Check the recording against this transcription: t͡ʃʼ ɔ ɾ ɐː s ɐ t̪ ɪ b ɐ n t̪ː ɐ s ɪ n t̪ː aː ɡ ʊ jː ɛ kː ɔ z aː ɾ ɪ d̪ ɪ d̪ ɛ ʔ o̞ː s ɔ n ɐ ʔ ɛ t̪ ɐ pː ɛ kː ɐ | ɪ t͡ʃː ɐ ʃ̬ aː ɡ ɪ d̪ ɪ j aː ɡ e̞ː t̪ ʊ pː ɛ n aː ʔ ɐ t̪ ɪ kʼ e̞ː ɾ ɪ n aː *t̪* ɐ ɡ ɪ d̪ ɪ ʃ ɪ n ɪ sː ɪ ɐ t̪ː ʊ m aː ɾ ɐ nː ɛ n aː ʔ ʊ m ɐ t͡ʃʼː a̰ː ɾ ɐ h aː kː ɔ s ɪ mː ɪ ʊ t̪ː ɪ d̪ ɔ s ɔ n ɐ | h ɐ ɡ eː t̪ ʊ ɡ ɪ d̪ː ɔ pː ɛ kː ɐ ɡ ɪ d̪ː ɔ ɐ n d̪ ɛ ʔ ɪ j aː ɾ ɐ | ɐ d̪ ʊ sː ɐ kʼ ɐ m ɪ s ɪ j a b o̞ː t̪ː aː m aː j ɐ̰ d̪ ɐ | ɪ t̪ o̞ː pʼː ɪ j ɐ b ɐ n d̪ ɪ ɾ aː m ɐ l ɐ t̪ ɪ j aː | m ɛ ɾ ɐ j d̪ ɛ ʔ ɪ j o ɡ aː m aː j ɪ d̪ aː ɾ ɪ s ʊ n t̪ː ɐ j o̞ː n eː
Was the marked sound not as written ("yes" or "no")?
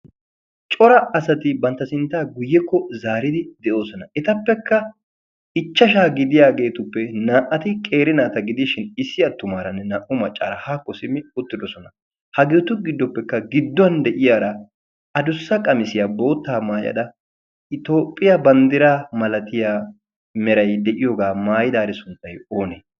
no